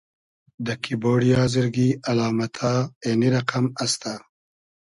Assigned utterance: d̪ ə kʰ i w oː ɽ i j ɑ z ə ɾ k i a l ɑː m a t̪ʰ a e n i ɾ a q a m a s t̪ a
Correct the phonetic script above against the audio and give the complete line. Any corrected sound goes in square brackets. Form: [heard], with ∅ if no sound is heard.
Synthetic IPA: d̪ ə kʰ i [b] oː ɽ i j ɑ z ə ɾ [ɡ] i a l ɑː m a t̪ʰ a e n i ɾ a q a m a s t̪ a